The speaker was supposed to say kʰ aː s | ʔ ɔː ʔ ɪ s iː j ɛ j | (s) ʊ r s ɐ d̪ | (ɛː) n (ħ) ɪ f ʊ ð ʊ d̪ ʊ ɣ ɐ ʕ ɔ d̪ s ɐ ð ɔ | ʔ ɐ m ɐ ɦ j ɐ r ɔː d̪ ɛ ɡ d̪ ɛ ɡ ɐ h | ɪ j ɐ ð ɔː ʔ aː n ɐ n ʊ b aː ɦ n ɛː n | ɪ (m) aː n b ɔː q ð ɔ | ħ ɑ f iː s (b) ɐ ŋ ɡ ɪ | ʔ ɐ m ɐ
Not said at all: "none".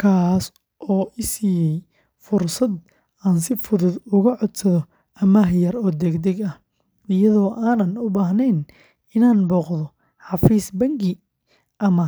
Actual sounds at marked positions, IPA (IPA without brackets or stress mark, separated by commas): f, aː, s, n, b